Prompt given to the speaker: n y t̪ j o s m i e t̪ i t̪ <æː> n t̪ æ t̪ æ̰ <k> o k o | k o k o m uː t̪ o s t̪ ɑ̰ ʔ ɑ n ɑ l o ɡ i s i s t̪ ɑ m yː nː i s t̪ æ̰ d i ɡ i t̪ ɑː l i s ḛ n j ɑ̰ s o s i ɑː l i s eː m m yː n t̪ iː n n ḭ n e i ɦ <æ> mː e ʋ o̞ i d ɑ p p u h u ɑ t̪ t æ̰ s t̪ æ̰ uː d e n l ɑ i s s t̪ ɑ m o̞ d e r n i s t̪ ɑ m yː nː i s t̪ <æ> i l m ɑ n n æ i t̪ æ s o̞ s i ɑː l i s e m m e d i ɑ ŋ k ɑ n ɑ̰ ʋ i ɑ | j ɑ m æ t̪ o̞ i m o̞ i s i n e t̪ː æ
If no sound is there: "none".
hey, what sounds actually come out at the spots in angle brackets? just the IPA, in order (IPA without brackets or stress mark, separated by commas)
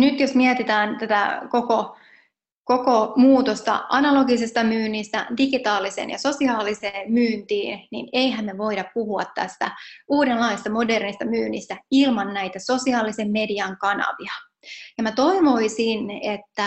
æː, k, æ, æ